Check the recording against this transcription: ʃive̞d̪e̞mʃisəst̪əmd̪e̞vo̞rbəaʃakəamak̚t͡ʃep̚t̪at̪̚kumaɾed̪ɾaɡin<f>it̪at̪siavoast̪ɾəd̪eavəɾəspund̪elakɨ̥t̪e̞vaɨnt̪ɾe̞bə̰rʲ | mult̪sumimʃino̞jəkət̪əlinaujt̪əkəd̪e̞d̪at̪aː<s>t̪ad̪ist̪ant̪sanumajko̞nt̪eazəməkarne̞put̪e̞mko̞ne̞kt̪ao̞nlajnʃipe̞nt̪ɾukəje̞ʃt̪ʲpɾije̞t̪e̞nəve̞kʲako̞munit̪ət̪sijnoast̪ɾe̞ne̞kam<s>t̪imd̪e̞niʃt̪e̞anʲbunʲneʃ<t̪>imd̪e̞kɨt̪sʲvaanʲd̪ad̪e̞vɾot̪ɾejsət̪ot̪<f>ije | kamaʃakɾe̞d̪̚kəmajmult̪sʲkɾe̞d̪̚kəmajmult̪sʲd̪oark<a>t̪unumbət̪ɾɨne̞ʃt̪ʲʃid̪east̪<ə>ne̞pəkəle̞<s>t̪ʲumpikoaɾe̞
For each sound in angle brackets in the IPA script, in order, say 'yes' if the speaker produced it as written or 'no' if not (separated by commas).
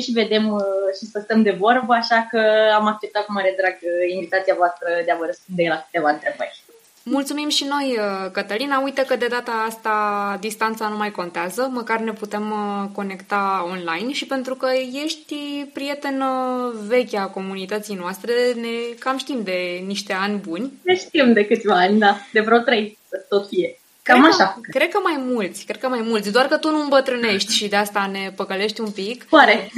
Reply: no, yes, no, yes, yes, no, no, no